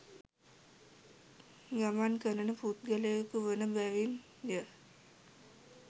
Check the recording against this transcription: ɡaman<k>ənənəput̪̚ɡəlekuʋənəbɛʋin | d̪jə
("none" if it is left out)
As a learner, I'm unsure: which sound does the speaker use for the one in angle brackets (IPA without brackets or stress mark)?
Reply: k